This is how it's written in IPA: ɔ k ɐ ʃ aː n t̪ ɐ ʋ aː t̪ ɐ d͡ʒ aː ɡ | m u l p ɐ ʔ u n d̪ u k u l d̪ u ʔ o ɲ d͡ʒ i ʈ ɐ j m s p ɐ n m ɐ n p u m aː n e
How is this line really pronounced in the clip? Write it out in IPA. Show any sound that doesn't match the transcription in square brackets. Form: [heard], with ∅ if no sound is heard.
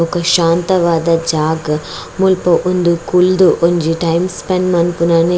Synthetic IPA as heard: ɔ k ɐ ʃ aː n t̪ ɐ ʋ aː [d̪] ɐ d͡ʒ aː ɡ | m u l p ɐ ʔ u n d̪ u k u l d̪ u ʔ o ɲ d͡ʒ i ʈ ɐ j m s p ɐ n m ɐ n p u [n] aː n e